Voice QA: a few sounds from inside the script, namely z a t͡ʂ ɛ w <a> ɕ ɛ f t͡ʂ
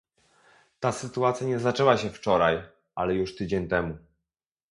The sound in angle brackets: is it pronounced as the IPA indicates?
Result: yes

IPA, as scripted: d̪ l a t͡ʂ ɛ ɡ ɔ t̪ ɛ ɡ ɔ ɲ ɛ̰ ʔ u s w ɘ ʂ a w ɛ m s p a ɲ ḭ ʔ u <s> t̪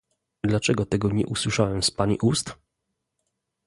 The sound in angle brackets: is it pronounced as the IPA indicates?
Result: yes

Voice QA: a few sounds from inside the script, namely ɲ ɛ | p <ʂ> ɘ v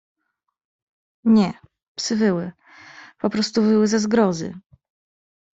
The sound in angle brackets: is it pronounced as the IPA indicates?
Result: no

